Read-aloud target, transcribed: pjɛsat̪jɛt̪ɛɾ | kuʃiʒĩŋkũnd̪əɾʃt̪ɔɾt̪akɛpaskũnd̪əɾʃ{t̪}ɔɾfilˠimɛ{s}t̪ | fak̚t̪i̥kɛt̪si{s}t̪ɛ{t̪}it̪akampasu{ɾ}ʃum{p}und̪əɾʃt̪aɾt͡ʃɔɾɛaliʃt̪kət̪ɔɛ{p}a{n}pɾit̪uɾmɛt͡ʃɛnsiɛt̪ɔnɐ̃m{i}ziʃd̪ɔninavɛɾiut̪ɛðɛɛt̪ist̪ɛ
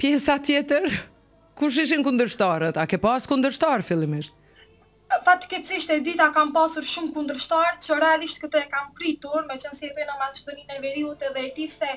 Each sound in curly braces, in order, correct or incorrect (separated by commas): correct, incorrect, incorrect, incorrect, correct, incorrect, incorrect, incorrect, incorrect